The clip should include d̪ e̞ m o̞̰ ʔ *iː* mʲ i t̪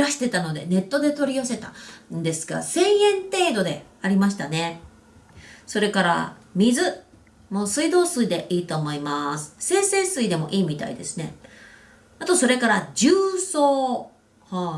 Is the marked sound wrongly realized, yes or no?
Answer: no